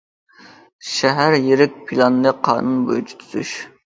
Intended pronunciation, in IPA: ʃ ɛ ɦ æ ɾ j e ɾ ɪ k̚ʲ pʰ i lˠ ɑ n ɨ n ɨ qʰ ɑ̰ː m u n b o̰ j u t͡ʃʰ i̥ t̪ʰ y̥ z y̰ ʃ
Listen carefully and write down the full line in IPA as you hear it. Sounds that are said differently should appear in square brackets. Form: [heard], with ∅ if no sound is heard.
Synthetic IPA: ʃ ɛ ɦ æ ɾ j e ɾ ɪ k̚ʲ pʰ i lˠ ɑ n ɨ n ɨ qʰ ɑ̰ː [n] u n b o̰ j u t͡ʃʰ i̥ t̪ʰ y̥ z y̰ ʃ